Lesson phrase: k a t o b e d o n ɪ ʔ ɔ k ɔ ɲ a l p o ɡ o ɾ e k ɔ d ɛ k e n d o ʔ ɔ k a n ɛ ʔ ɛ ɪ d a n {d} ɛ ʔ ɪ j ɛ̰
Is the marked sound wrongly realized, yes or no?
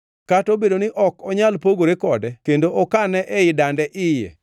no